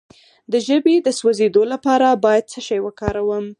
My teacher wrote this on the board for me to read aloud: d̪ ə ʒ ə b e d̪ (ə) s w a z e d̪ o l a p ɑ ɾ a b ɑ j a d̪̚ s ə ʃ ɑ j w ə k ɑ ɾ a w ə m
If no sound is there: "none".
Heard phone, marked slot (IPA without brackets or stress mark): ə